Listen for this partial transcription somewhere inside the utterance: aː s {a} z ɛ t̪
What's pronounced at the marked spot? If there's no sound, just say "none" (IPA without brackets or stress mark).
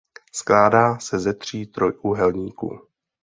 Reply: ɛ